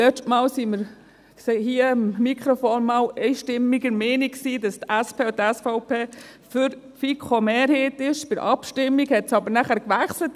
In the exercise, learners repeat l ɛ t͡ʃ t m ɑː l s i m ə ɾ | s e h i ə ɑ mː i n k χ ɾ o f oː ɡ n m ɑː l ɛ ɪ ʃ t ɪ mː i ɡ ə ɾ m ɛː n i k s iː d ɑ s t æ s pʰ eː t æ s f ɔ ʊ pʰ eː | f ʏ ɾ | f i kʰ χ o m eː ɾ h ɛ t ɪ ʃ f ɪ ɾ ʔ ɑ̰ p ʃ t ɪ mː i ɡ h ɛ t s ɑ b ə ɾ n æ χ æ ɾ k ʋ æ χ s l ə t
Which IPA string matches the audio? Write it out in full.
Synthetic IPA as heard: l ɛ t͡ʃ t m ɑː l s i m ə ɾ | s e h i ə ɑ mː i k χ ɾ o f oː n m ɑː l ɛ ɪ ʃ t ɪ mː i ɡ ə ɾ m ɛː n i k s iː d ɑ s t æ s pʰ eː t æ s f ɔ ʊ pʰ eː | f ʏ ɾ | f i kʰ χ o m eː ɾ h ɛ t ɪ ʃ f ɪ ɾ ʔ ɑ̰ p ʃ t ɪ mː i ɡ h ɛ t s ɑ b ə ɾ n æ χ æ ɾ k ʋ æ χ s l ə t